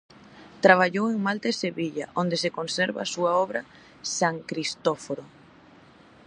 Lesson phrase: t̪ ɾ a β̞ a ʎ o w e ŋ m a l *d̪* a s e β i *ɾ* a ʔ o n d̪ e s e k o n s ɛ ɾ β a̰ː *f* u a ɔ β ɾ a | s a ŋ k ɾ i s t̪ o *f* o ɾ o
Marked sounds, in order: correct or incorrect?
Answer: incorrect, incorrect, incorrect, correct

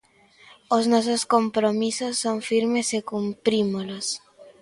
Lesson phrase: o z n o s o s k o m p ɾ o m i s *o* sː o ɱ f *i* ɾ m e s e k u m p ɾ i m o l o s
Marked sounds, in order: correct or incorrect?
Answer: correct, correct

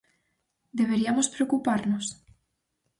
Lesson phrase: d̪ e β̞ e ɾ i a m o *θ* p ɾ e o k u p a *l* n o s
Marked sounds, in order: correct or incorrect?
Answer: incorrect, incorrect

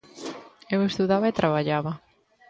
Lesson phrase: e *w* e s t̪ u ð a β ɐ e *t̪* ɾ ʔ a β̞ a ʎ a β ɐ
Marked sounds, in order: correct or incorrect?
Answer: correct, correct

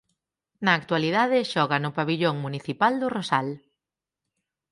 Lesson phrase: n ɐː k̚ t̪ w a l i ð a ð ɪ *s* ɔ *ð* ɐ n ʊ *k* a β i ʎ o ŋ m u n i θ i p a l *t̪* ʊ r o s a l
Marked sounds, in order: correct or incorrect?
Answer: incorrect, incorrect, incorrect, incorrect

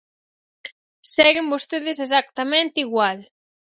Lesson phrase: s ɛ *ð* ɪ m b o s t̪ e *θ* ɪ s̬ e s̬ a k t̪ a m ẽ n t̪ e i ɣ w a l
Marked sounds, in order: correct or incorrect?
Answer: incorrect, incorrect

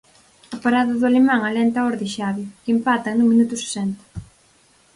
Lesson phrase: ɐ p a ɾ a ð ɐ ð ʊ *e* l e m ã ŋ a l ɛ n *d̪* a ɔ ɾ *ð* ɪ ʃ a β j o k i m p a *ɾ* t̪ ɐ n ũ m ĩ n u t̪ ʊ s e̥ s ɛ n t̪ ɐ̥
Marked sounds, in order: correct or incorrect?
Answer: incorrect, incorrect, correct, incorrect

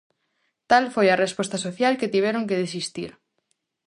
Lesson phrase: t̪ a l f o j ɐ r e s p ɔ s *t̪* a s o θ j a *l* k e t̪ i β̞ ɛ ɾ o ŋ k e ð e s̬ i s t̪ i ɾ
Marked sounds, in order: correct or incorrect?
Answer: correct, correct

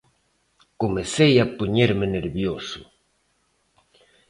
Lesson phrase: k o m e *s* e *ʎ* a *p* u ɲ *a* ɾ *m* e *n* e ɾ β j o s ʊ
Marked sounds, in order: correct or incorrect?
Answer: correct, incorrect, correct, incorrect, correct, correct

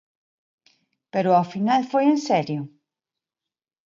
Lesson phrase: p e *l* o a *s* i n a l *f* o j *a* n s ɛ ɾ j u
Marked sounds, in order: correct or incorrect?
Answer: incorrect, incorrect, correct, incorrect

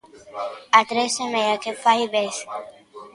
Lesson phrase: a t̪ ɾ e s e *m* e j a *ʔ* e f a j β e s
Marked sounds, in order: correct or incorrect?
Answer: correct, incorrect

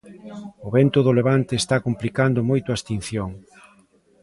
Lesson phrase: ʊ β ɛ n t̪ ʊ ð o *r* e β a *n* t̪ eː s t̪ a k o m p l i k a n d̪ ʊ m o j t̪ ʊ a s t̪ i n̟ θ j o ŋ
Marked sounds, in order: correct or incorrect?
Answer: incorrect, correct

